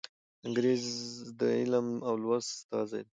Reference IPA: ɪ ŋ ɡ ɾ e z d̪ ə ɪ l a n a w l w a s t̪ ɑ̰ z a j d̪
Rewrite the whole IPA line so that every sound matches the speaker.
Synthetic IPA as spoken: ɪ ŋ ɡ ɾ e z d̪ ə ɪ l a m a w l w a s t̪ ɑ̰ z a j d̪